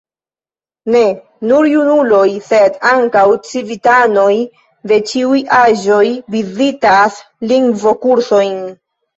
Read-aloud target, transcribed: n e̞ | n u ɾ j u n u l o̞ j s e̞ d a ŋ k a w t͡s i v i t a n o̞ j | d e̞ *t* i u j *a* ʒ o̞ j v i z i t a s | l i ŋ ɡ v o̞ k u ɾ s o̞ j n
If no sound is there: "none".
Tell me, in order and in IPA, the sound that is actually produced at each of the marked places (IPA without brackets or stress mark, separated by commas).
t͡ʃ, a